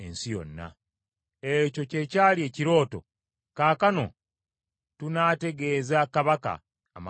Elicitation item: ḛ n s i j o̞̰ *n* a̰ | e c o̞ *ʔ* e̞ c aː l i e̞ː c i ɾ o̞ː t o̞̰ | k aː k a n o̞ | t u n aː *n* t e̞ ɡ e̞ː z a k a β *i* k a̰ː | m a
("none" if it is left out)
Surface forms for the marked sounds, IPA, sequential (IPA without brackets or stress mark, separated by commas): nː, c, none, a